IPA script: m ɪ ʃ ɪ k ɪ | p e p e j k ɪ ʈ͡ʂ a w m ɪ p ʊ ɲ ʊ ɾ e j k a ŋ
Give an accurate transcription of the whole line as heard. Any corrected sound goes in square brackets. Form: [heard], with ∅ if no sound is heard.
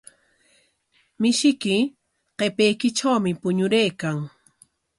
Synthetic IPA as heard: m ɪ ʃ ɪ k ɪ | [q] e p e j k ɪ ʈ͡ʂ a w m ɪ p ʊ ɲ ʊ ɾ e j k a ŋ